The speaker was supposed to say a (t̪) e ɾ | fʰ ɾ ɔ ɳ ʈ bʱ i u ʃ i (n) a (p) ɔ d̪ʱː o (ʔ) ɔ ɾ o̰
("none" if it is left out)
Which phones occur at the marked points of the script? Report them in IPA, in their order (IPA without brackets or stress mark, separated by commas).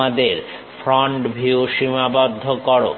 d̪, m, b, k